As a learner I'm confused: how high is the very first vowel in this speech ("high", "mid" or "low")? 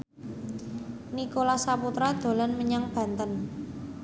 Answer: high